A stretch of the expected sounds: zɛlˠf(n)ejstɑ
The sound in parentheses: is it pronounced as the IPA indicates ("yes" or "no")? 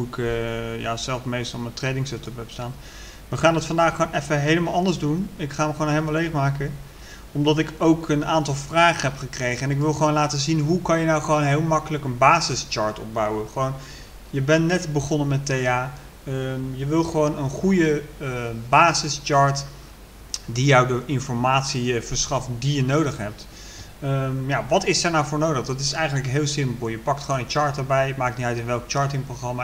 no